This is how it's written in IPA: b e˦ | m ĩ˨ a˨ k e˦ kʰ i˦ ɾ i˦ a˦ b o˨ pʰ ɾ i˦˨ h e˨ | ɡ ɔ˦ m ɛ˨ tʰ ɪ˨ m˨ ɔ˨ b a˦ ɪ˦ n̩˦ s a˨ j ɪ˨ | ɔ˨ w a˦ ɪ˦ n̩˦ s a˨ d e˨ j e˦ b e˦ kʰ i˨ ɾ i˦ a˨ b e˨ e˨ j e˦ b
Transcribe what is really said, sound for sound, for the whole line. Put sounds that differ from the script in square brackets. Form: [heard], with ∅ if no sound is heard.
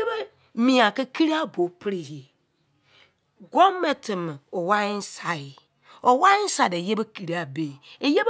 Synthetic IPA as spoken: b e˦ | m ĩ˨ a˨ k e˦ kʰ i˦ ɾ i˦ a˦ b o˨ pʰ ɾ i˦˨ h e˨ | ɡ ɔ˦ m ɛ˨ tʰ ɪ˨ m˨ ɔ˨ [w] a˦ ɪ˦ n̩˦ s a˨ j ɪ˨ | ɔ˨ w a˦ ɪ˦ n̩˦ s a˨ d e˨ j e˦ b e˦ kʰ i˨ ɾ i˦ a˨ b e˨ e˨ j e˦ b